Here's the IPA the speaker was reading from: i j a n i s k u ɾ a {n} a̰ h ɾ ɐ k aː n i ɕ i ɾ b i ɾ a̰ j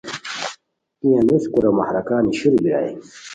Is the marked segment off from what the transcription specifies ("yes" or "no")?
yes